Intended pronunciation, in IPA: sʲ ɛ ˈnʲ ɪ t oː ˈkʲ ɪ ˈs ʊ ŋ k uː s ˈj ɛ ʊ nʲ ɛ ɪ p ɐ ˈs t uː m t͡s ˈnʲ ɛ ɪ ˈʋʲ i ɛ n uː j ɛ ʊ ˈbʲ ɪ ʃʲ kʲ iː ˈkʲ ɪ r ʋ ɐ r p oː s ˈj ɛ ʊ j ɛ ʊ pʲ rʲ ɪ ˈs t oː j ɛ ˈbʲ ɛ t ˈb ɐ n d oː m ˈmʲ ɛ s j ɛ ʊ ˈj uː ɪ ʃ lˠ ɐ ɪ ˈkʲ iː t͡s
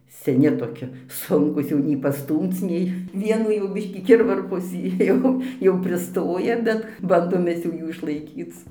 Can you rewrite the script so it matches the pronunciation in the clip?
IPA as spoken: sʲ ɛ ˈnʲ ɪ t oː ˈkʲ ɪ ˈs ʊ ŋ k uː s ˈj ɛ ʊ nʲ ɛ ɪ p ɐ ˈs t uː m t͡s ˈnʲ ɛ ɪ ˈʋʲ i ɛ n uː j ɛ ʊ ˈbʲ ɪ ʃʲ kʲ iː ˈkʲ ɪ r ʋ ɐ r p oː s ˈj ɛ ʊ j ɛ ʊ pʲ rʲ ɪ ˈs t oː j ɛ ˈbʲ ɛ t ˈb ɐ n d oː m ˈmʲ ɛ s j ɛ ʊ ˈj uː ɪ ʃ lˠ ɐ ɪ ˈkʲ iː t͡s